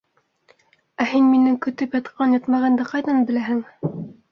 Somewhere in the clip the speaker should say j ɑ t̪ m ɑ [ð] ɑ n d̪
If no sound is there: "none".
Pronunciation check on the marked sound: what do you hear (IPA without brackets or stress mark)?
ʁ